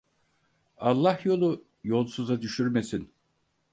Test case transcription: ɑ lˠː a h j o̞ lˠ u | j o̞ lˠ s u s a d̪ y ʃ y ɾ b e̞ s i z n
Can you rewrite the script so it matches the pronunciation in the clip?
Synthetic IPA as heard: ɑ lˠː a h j o̞ lˠ u | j o̞ lˠ s u z a d̪ y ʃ y ɾ m e̞ s i n